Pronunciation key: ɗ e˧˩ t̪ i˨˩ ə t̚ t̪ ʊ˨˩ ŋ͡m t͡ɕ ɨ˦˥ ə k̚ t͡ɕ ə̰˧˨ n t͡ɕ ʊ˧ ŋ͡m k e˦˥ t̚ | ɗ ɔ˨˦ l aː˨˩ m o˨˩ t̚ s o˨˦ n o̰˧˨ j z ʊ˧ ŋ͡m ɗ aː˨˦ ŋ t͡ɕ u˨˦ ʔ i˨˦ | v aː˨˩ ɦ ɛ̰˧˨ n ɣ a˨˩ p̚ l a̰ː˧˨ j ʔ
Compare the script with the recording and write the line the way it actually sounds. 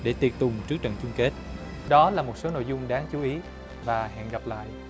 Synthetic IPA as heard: ɗ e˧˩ t̪ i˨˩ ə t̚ t̪ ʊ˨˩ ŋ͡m t͡ɕ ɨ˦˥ ə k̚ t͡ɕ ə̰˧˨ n t͡ɕ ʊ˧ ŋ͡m k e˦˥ t̚ | ɗ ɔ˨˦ l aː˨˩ m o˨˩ t̚ s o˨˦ n o̰˧˨ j z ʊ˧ ŋ͡m ɗ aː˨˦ ŋ t͡ɕ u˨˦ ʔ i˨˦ | v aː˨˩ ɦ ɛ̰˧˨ n ɣ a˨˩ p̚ l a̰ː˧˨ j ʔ